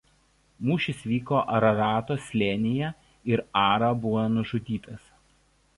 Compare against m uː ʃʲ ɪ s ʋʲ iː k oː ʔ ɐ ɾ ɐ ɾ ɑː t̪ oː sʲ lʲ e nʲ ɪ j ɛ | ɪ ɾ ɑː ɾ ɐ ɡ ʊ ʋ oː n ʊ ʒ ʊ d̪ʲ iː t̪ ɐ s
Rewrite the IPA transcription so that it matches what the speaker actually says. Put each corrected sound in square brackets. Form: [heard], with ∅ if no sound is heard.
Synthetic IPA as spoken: m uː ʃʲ ɪ s ʋʲ iː k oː ʔ ɐ ɾ ɐ ɾ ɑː t̪ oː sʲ lʲ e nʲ ɪ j ɛ | ɪ ɾ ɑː ɾ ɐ [b] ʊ ʋ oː n ʊ ʒ ʊ d̪ʲ iː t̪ ɐ s